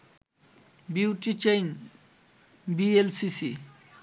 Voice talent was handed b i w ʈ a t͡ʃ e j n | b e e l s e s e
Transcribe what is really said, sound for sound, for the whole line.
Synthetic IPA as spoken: b i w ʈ i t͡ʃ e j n | b i e l s i s i